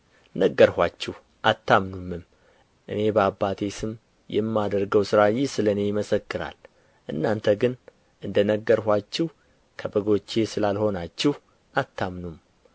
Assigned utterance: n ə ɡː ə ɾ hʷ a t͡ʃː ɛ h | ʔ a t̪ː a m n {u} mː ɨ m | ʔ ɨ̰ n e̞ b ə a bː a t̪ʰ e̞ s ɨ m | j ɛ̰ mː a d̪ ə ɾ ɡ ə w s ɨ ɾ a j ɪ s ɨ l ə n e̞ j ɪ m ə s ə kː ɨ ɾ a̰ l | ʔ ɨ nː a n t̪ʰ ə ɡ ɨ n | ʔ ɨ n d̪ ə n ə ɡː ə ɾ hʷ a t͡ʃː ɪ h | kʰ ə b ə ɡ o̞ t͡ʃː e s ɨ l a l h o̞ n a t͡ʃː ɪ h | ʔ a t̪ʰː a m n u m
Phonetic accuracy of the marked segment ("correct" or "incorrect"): correct